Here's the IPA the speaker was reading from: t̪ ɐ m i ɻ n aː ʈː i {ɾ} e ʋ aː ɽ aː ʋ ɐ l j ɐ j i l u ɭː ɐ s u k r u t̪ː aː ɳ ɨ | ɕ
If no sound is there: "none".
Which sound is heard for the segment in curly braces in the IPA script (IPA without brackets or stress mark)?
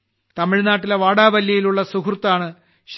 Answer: l